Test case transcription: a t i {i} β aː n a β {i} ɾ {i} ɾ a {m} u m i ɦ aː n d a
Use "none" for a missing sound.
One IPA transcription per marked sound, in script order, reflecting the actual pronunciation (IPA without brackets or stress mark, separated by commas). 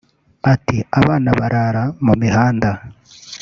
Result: a, a, a, m